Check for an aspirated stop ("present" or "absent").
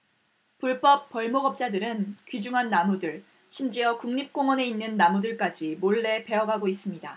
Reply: absent